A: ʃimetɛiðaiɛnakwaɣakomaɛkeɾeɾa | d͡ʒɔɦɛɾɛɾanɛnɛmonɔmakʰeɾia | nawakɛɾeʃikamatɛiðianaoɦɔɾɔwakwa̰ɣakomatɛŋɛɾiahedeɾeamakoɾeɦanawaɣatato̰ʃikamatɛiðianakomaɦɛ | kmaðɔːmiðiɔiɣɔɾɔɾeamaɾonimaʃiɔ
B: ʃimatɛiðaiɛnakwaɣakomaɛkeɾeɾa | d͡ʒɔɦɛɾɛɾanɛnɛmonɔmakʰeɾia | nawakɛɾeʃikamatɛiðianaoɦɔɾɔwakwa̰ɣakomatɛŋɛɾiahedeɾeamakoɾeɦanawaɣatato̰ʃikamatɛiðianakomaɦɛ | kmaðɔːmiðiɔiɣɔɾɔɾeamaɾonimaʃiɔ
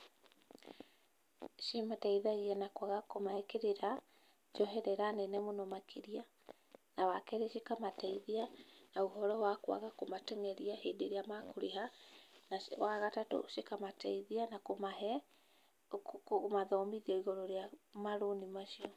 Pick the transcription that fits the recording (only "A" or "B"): B